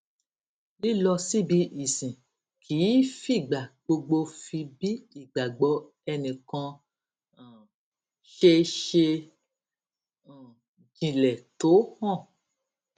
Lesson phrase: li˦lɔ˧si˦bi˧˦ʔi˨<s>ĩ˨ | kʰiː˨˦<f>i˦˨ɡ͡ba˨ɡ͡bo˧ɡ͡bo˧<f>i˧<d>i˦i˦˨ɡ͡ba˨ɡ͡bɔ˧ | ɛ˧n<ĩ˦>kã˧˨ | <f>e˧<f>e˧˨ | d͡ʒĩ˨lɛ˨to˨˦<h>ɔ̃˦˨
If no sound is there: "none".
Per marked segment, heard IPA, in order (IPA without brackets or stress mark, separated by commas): s, f, f, b, ĩ˨, ʃ, ʃ, h